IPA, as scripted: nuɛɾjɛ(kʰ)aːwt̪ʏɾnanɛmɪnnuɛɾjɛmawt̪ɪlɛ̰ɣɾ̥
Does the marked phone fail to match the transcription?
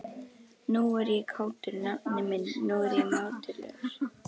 no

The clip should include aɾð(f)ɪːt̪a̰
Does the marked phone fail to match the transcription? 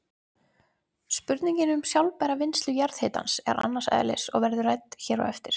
yes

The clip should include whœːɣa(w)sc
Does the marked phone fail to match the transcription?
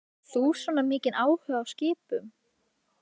no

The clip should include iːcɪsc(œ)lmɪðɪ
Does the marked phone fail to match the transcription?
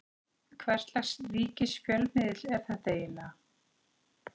no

